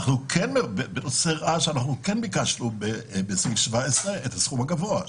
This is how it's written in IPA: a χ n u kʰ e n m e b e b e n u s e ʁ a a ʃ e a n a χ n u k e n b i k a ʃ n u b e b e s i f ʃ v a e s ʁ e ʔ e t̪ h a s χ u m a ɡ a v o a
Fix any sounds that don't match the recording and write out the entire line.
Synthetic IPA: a χ n u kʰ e n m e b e b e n o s e ʁ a a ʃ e a n a χ n u k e n b i k a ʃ n u b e b e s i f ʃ v a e s ʁ e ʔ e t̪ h a s χ u m a ɡ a v o a